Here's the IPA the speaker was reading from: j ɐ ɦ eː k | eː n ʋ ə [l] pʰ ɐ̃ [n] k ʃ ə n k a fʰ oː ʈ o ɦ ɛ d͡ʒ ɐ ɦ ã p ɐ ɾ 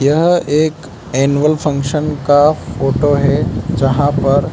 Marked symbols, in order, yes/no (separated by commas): yes, no